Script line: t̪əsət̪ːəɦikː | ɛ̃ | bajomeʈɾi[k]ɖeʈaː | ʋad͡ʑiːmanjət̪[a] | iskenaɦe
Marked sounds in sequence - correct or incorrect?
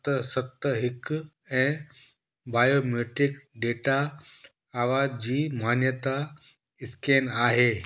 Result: correct, correct

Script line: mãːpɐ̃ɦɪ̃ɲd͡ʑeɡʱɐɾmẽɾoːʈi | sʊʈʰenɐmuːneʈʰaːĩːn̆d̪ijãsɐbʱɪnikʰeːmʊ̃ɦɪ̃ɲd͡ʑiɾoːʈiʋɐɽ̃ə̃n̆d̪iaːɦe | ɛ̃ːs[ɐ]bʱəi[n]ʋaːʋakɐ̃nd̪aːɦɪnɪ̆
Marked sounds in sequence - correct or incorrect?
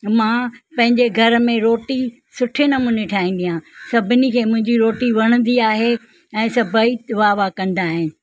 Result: correct, incorrect

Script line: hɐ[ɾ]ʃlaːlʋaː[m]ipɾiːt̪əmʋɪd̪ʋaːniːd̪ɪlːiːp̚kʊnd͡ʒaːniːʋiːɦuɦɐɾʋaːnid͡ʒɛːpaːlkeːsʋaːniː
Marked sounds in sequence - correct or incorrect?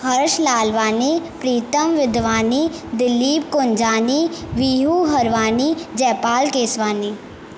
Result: correct, incorrect

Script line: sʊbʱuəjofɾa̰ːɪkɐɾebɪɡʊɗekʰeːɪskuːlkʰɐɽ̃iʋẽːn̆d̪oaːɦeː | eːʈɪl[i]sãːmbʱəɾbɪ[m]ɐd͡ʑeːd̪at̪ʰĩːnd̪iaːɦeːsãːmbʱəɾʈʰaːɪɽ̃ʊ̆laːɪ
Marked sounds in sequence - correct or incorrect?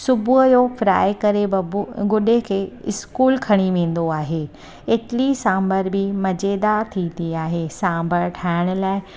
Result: correct, correct

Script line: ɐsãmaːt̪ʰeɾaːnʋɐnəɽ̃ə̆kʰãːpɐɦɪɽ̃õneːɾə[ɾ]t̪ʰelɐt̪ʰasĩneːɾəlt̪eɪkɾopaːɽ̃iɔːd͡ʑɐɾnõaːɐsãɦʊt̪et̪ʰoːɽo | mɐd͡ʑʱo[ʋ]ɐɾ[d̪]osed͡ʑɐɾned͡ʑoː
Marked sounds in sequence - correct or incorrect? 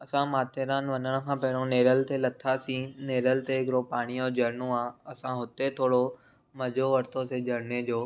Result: incorrect, correct, incorrect

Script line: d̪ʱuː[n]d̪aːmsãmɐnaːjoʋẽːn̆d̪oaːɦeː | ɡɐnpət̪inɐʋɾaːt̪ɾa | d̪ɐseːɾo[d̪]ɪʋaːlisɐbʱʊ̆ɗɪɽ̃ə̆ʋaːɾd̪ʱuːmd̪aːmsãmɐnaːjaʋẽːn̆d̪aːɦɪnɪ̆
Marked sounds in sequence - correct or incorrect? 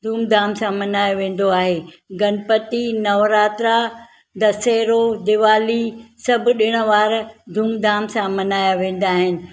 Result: incorrect, correct

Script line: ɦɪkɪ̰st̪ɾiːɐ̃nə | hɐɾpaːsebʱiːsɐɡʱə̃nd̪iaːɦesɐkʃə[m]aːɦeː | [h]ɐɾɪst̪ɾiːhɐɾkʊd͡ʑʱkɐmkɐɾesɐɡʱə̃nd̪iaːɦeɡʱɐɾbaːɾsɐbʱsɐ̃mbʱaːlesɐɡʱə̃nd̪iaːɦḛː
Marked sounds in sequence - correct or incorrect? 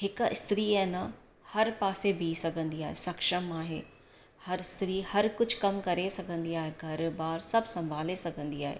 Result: correct, correct

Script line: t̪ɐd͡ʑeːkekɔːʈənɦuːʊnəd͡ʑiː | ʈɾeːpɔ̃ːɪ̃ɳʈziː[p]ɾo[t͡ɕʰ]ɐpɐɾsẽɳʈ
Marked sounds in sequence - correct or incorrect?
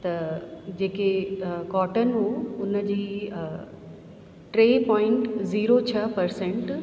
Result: incorrect, correct

